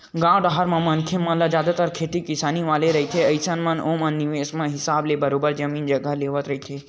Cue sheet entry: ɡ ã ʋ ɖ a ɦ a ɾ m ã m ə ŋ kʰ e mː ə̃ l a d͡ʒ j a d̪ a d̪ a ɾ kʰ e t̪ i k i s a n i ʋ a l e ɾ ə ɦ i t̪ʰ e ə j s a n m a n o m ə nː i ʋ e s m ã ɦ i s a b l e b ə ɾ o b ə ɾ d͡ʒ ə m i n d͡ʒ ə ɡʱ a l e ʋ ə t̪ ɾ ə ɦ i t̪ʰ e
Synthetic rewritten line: ɡ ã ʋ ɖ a ɦ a ɾ m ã m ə n kʰ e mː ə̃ l a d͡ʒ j a d̪ a t̪ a ɾ kʰ e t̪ i k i s a n i ʋ a l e ɾ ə ɦ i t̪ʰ e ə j s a n m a n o m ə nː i ʋ e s m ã ɦ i s a b l e b ə ɾ o b ə ɾ d͡ʒ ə m i n d͡ʒ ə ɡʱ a l e ʋ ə t̪ ɾ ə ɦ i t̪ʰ e